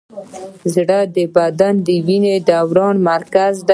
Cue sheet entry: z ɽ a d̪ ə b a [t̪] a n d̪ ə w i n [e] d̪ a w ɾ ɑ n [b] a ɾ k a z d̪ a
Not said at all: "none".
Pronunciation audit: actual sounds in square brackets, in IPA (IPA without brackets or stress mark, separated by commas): d̪, e, m